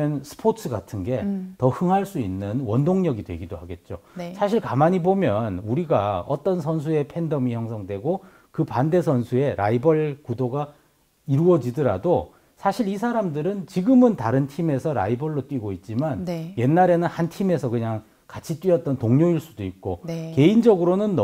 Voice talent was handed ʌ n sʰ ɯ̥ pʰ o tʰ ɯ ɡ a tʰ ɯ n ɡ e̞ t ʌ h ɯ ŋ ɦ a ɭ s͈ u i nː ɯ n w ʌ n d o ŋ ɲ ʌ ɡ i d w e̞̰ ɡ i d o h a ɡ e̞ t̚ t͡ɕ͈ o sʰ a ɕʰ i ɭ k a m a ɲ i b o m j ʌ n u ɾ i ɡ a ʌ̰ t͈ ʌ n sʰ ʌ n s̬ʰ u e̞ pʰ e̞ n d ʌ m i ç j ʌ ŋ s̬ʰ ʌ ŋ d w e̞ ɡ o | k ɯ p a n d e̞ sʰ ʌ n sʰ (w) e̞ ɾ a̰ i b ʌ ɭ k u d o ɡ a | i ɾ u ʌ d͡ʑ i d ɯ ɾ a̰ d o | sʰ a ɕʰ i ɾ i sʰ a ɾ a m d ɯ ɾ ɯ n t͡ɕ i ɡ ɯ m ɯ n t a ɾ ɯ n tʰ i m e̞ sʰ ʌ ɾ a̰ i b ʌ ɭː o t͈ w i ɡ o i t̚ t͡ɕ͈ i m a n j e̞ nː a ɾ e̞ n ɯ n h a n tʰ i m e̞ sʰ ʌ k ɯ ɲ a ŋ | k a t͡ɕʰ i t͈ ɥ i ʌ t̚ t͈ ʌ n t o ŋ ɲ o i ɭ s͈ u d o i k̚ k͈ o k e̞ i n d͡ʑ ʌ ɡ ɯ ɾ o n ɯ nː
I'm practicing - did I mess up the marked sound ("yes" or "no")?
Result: yes